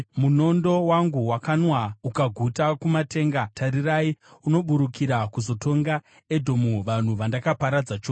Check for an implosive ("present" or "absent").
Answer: present